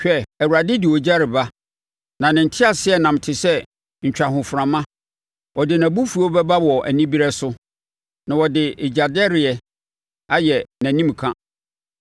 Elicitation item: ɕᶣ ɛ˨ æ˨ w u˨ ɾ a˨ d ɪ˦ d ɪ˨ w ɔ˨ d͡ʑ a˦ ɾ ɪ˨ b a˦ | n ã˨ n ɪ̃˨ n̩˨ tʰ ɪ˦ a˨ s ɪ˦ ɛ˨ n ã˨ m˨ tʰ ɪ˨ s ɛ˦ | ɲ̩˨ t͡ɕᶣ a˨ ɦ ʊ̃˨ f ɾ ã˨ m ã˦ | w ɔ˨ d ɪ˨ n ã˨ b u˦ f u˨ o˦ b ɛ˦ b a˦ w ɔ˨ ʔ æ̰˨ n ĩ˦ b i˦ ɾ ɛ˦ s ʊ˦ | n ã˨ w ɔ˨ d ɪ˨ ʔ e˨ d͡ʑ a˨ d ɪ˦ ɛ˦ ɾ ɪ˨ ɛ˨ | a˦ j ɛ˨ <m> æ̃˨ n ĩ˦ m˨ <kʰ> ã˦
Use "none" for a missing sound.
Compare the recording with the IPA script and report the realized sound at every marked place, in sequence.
n, kʰ

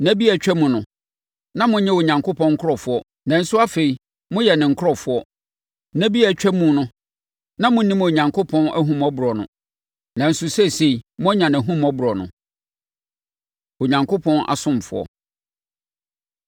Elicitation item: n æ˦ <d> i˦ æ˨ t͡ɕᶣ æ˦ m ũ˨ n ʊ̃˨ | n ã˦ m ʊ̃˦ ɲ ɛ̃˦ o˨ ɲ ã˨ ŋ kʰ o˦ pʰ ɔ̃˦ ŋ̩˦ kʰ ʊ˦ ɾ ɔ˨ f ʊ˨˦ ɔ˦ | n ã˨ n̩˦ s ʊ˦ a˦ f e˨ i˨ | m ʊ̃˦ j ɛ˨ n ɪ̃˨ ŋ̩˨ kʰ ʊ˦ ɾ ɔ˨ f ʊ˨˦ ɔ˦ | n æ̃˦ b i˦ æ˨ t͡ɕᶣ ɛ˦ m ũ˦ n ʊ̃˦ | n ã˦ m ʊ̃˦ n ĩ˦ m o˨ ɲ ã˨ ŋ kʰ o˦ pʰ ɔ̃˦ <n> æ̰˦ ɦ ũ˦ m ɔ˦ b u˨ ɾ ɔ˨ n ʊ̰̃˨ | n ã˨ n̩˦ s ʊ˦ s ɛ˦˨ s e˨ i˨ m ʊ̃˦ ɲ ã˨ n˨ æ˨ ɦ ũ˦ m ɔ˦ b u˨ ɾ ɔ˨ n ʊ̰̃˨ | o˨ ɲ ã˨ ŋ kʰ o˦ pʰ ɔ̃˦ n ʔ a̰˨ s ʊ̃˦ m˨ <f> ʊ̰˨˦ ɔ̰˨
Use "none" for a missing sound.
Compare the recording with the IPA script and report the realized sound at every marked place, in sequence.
b, n, f

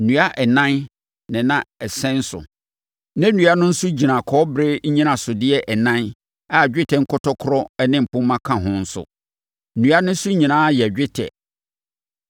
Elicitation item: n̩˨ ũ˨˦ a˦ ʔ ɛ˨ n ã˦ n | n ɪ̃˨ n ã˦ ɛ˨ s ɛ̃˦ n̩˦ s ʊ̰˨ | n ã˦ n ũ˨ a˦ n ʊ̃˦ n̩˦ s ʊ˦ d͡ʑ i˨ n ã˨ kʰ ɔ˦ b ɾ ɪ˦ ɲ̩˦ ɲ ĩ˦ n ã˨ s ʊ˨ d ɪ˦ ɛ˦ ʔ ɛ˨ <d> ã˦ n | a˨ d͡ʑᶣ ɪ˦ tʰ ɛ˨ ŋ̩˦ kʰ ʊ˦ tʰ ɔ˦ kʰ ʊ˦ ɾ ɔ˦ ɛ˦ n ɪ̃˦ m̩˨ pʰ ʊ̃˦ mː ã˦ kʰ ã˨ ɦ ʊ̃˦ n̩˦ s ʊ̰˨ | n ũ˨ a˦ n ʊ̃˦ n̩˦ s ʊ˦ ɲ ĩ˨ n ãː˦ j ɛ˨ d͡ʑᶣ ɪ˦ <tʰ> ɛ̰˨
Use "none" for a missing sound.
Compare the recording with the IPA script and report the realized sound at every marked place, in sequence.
n, tʰ

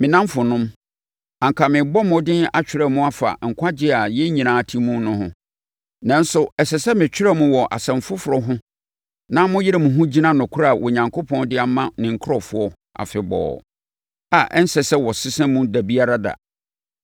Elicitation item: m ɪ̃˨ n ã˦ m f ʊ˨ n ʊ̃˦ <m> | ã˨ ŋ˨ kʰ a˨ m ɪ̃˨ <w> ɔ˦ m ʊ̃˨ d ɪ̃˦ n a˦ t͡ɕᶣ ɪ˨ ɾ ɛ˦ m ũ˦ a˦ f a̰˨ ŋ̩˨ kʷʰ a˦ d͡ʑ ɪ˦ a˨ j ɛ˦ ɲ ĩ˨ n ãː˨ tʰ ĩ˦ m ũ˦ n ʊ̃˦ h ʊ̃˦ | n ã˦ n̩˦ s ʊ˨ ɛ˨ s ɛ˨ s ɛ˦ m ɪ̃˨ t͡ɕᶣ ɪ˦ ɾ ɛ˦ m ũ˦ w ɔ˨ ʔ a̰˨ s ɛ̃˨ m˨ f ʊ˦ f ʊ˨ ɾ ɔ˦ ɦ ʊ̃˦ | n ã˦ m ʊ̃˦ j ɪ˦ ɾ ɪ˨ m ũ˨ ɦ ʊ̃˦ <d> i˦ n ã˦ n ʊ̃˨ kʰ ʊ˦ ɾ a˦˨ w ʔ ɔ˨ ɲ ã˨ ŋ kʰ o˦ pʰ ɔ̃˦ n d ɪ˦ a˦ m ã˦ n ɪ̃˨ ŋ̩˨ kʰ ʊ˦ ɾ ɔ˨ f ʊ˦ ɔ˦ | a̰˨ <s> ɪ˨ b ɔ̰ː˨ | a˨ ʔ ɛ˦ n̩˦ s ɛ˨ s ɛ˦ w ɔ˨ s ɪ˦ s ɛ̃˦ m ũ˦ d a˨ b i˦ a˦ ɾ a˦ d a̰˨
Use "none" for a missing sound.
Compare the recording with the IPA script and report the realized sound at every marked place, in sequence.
m, b, d͡ʑ, f

